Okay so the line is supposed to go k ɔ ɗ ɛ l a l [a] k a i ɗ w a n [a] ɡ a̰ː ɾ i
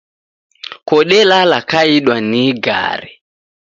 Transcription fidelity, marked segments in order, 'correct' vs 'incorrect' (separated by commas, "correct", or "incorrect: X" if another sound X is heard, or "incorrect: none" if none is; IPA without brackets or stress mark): correct, incorrect: i